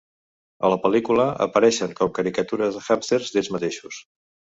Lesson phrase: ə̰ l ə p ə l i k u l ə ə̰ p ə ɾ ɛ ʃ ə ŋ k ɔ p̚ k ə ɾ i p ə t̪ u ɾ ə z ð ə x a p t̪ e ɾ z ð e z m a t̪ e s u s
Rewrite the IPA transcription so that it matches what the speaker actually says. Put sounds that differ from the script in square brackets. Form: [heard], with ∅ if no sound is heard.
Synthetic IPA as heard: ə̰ l ə p ə l i k u l ə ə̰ p ə ɾ ɛ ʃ ə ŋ k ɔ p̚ k ə ɾ i [k] ə t̪ u ɾ ə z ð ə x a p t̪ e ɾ z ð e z m [ə] t̪ e [ʃ] u s